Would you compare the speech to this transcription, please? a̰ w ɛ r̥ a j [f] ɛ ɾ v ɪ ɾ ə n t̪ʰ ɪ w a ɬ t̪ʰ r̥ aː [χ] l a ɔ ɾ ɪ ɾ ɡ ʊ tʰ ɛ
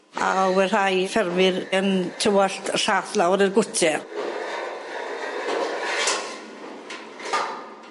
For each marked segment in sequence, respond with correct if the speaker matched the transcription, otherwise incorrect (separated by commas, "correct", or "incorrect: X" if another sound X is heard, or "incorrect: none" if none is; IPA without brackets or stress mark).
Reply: correct, incorrect: θ